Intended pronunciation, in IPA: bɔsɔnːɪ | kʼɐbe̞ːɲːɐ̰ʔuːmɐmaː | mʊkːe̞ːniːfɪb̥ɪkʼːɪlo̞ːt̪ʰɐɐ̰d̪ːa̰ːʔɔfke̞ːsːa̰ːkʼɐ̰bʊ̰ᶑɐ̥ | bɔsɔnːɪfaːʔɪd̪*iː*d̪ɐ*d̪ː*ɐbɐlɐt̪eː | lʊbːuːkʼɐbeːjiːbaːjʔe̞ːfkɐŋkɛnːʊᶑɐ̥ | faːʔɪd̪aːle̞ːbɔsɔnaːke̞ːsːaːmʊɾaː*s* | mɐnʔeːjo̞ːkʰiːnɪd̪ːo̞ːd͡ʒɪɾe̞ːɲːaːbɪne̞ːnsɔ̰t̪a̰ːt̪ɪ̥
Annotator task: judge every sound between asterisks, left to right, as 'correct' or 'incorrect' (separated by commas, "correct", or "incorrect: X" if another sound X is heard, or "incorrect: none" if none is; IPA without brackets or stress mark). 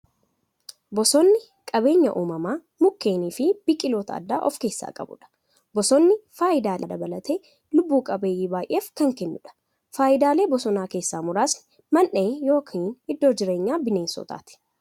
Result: incorrect: aː, incorrect: d̪, correct